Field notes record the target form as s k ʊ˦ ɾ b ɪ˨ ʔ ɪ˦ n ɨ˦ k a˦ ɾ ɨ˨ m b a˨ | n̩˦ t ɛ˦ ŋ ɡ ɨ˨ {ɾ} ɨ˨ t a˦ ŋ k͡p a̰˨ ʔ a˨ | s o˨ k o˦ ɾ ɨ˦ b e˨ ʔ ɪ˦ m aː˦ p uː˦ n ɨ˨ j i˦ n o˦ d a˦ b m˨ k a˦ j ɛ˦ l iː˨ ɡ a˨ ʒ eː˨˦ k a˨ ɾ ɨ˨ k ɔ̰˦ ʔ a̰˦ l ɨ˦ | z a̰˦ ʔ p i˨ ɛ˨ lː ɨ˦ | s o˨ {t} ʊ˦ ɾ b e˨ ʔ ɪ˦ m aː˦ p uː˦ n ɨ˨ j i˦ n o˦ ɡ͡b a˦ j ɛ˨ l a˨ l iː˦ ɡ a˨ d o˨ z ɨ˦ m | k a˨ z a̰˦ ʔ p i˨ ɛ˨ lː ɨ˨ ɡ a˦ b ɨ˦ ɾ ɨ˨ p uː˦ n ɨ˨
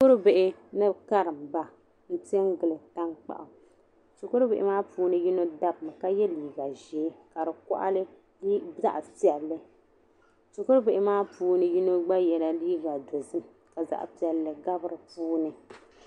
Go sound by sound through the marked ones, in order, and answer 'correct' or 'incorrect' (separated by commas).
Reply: incorrect, incorrect